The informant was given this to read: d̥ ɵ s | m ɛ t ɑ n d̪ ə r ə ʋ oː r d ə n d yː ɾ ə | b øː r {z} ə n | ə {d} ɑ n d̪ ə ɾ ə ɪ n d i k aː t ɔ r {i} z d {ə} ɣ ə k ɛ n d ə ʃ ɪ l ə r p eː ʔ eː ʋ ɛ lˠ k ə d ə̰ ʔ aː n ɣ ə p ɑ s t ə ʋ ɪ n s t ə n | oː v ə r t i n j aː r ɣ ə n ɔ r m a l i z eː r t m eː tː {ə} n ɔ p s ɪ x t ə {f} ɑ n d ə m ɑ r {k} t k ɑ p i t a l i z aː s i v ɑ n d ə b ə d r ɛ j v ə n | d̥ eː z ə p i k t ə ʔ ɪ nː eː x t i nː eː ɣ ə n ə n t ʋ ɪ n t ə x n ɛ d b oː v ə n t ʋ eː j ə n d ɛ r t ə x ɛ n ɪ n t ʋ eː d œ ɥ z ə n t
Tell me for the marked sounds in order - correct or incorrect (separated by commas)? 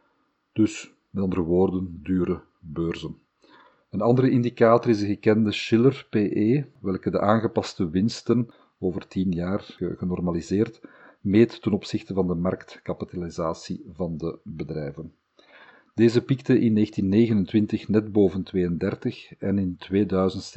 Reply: correct, incorrect, incorrect, correct, correct, incorrect, correct